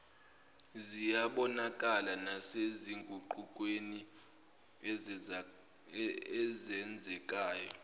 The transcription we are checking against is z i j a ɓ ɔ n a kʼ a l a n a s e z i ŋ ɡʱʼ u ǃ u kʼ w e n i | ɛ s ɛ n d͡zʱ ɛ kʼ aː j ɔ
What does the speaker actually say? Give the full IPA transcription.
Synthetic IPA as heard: z i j a ɓ ɔ n a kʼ a l a n a s e z i ŋ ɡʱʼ u ǃ u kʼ w e n i | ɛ z ɛ n d͡zʱ ɛ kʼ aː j ɔ